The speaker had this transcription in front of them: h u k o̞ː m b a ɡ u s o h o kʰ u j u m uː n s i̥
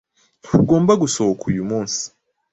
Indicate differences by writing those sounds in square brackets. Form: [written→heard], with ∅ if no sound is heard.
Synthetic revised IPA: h u [k→ɡ] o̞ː m b a ɡ u s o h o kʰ u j u m uː n s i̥